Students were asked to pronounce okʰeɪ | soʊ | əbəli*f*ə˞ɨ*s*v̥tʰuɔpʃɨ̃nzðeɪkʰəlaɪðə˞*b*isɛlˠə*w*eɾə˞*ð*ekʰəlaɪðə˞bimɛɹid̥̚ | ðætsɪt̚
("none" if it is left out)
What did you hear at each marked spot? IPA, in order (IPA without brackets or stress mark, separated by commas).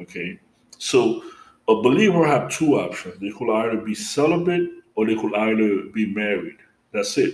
v, none, b, b, ð